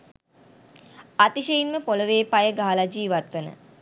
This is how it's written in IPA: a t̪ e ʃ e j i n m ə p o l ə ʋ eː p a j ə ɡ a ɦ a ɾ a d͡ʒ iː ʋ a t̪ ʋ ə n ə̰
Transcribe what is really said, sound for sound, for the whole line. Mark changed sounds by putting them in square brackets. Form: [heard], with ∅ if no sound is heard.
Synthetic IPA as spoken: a t̪ [i] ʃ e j i n m ə p o l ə ʋ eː p a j ə ɡ a ɦ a [l] a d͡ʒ iː ʋ a t̪ ʋ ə n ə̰